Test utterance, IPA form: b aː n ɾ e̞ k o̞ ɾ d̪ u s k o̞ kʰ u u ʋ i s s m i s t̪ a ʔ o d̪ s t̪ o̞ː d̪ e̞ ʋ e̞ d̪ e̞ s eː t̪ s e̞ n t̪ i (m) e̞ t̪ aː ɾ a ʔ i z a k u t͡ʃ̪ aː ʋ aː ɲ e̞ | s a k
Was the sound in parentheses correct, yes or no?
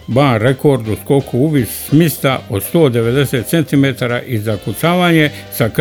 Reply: yes